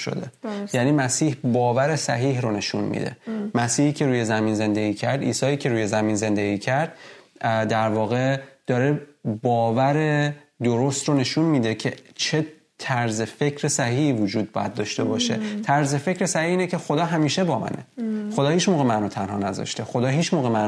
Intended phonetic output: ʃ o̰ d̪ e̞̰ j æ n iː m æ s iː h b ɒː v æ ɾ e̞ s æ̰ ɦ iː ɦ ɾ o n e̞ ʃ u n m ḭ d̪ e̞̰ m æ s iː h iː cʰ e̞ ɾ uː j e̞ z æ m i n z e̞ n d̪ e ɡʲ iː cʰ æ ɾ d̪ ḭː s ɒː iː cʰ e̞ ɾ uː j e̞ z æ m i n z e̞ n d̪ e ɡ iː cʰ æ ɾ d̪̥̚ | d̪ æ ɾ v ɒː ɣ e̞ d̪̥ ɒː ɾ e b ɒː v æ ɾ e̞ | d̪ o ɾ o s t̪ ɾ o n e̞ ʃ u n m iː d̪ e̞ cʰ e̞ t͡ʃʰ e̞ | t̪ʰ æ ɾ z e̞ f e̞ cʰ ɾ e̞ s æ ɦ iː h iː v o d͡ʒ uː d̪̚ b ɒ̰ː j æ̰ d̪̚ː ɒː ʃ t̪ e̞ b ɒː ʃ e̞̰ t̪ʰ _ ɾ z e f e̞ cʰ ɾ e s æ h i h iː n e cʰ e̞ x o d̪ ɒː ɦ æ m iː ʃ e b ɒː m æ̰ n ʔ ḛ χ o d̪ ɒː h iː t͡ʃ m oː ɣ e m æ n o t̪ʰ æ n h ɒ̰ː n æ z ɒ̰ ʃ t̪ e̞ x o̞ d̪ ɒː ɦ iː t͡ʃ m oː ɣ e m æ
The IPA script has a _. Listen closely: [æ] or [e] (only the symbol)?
æ